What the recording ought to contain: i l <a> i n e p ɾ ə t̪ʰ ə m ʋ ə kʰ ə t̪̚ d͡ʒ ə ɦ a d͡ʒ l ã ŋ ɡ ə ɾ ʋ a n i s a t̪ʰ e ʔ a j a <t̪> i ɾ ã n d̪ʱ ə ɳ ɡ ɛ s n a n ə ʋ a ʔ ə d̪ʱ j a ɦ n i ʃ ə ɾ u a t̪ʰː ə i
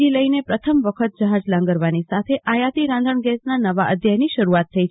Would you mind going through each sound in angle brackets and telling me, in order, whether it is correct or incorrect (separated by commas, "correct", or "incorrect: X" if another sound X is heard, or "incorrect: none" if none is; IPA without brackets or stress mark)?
incorrect: ə, correct